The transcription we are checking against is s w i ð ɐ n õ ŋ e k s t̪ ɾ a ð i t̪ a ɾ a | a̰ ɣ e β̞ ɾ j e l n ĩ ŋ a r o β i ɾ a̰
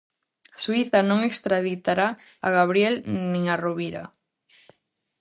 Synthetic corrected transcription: s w i θ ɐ n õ ŋ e k s t̪ ɾ a ð i t̪ a ɾ a | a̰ ɣ a β̞ ɾ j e l n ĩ ŋ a r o β i ɾ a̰